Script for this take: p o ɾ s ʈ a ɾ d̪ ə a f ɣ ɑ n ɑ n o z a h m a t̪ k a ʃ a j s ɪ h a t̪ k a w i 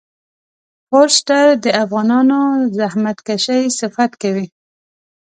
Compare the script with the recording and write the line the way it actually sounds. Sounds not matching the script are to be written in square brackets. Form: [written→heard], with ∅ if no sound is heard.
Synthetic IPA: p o ɾ s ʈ a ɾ d̪ ə a f ɣ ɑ n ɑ n o z a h m a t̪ k a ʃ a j s ɪ [h→f] a t̪ k a w i